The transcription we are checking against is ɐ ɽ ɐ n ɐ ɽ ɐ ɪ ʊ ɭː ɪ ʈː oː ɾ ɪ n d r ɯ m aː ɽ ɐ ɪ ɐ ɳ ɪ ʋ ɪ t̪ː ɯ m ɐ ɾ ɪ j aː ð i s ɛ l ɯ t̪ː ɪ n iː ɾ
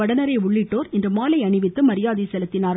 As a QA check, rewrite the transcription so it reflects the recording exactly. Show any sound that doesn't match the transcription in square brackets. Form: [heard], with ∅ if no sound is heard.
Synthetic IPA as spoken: ɐ ɽ ɐ n ɐ [ɾ] ɐ ɪ ʊ ɭː ɪ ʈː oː ɾ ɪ n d r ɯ m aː [l] ɐ ɪ ɐ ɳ ɪ ʋ ɪ t̪ː ɯ m ɐ ɾ ɪ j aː ð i s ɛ l ɯ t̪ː ɪ n [aː] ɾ